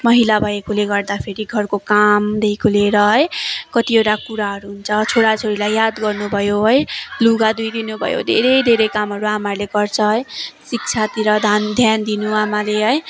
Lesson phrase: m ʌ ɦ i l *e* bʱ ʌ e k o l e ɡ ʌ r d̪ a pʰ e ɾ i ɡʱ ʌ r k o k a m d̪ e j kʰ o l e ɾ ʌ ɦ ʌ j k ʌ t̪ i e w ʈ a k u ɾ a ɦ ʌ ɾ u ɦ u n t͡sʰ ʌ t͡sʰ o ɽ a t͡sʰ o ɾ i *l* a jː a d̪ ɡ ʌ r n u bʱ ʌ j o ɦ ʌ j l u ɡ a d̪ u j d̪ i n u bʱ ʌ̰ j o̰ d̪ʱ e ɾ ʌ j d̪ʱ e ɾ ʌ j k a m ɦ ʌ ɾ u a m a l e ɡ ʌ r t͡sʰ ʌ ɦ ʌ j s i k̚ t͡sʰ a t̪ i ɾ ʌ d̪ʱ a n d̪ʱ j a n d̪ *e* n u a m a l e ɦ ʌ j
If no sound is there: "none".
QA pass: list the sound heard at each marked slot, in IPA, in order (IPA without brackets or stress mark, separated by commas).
a, l, i